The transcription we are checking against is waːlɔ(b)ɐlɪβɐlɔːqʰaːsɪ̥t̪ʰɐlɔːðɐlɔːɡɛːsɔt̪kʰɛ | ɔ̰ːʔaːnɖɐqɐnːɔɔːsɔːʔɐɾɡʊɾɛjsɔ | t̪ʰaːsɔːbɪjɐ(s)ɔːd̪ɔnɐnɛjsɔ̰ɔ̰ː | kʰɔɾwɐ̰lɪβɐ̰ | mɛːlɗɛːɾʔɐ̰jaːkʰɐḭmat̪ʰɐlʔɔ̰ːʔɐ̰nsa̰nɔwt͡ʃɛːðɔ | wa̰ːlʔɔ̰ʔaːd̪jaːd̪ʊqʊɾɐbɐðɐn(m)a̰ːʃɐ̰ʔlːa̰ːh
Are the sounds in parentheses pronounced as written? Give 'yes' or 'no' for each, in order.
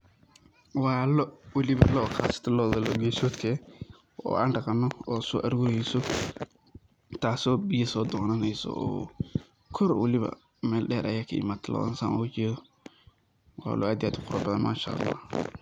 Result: no, yes, yes

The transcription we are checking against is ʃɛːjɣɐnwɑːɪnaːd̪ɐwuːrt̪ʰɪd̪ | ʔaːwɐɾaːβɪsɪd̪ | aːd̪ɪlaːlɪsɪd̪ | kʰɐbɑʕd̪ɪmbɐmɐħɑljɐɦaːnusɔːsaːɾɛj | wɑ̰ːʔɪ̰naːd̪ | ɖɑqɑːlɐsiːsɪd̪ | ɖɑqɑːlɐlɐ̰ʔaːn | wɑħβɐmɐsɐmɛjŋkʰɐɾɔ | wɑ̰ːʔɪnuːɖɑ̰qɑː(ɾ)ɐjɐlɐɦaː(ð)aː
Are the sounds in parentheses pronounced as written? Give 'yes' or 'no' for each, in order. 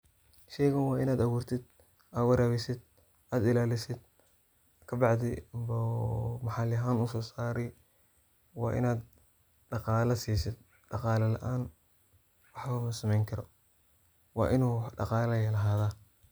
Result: no, yes

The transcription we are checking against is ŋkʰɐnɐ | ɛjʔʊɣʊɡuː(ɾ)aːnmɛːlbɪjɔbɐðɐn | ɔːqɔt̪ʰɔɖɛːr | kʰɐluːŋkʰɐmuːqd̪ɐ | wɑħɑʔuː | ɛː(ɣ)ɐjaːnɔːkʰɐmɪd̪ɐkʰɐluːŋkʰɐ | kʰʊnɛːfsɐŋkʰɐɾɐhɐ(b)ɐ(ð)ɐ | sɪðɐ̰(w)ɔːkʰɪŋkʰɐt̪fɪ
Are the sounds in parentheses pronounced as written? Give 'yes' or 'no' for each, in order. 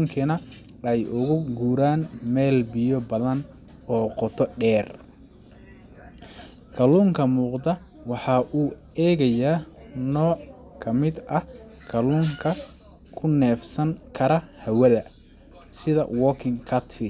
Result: yes, yes, no, yes, yes

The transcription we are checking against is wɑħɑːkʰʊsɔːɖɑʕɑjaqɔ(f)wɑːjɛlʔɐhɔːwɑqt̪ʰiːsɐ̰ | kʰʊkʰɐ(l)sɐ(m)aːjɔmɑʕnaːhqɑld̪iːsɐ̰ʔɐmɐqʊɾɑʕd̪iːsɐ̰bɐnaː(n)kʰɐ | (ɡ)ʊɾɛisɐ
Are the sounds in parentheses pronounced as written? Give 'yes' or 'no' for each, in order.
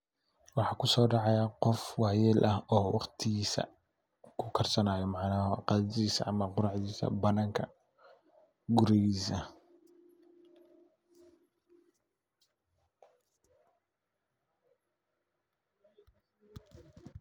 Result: yes, no, no, no, yes

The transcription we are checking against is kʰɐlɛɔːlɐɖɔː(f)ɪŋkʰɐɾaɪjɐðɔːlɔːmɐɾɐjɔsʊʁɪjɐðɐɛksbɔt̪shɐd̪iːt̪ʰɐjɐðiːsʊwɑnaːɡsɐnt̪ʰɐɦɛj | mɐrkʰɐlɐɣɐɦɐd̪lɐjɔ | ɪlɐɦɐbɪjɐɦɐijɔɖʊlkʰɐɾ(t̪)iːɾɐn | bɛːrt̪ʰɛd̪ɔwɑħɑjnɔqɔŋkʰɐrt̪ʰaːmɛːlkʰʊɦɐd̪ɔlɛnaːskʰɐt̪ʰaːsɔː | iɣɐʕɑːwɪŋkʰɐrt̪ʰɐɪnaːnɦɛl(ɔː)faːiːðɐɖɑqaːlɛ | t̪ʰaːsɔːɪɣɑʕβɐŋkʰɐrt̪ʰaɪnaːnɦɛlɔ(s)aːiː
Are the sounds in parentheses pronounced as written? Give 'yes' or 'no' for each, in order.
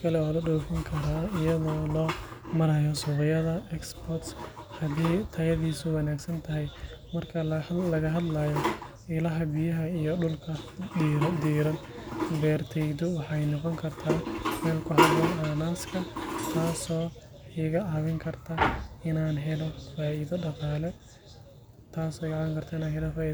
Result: yes, no, no, no

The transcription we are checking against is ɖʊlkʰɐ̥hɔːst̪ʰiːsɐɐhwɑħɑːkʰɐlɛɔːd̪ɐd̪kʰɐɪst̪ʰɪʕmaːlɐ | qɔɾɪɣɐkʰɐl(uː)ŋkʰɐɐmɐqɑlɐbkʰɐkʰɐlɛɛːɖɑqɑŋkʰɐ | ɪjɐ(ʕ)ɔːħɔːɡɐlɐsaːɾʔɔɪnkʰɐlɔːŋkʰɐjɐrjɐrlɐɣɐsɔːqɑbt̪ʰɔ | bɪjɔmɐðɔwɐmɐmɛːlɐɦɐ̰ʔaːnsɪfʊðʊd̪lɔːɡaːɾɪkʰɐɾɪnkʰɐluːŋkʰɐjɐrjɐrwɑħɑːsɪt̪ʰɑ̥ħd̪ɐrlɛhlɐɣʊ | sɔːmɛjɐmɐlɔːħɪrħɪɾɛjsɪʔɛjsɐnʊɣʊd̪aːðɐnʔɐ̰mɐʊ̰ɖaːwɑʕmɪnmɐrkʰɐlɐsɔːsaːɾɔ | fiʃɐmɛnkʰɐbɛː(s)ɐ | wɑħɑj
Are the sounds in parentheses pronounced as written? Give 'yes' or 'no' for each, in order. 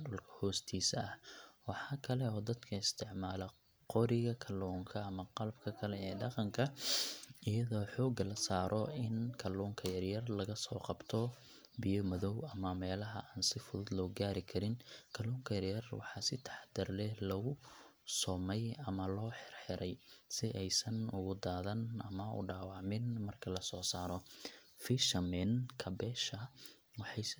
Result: no, no, no

